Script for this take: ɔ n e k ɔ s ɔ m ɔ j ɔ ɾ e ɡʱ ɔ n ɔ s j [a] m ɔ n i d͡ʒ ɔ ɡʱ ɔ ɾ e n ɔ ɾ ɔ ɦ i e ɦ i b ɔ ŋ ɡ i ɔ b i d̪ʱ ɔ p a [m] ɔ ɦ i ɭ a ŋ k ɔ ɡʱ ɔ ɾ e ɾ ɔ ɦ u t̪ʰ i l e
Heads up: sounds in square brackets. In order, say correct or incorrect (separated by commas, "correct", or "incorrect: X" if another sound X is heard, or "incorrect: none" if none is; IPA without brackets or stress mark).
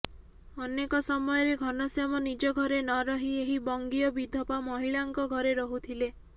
correct, correct